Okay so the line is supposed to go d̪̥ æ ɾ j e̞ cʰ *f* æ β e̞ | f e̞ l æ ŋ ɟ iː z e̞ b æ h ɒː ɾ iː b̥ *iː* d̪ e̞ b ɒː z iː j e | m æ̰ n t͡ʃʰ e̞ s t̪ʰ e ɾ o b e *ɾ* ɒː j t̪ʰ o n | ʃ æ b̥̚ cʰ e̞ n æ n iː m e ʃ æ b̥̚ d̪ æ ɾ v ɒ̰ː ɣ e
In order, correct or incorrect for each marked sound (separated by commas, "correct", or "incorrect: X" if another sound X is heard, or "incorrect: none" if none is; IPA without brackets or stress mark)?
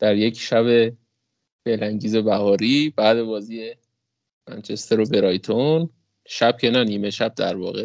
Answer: incorrect: ʃ, incorrect: æː, correct